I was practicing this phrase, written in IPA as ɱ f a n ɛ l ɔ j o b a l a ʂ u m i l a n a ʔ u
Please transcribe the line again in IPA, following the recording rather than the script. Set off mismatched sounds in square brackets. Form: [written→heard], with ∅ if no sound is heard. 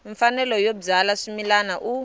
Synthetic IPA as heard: ɱ f a n ɛ l ɔ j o [b→b͡ʐ] a l a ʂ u m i l a n a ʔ u